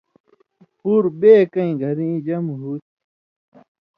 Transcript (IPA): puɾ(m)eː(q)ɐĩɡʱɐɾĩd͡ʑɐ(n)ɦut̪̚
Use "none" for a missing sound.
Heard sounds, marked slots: b, k, m

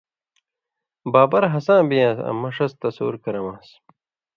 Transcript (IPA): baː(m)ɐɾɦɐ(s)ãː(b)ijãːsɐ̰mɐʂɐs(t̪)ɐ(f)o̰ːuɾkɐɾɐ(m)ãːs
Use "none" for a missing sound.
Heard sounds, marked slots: b, s, b, t̪, s, m

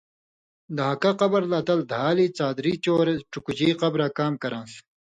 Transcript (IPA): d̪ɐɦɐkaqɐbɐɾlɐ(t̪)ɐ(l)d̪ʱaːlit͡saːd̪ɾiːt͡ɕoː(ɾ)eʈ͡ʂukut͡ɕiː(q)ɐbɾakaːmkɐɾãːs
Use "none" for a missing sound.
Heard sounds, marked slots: t̪, l, ɾ, q

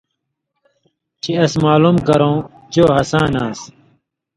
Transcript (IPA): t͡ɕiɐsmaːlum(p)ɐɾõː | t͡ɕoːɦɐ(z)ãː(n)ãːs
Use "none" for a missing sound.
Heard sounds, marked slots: k, s, n

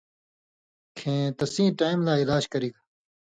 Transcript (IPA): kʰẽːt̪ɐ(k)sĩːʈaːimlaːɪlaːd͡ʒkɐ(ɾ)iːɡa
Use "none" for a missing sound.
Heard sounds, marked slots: none, ɾ

